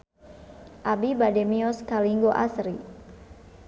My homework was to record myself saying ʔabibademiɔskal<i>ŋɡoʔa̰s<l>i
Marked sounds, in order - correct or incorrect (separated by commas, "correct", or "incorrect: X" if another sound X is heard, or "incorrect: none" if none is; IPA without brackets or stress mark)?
correct, incorrect: ɾ